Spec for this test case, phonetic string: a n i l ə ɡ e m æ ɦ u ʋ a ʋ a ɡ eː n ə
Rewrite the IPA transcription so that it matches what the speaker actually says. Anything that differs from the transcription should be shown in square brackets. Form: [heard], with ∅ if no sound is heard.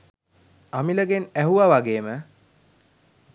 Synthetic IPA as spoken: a [m] i l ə ɡ e [n] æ ɦ u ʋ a ʋ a ɡ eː [m] ə